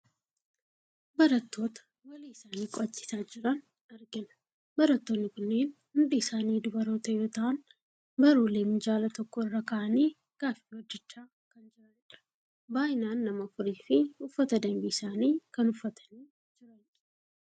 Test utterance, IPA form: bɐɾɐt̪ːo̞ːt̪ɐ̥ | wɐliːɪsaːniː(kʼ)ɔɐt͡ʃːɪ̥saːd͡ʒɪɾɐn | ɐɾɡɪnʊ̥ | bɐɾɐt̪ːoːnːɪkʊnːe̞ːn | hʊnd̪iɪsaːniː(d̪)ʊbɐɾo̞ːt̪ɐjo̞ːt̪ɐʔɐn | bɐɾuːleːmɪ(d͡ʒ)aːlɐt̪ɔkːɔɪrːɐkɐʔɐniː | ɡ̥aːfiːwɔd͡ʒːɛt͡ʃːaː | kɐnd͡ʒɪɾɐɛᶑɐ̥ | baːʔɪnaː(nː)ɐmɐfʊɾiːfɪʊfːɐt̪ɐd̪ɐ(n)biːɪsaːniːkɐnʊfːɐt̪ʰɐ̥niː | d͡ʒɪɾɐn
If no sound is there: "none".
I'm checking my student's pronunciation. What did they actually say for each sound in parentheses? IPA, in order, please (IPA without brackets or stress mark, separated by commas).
kʼ, d̪, d͡ʒ, nː, m